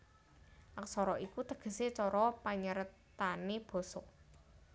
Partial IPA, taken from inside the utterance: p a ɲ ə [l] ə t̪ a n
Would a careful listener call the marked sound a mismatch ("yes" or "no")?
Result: yes